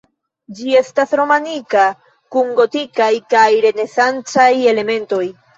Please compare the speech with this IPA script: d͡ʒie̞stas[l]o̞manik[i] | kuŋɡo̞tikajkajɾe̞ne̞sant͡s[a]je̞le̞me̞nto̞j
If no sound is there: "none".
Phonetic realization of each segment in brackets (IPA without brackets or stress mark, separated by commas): ɾ, a, a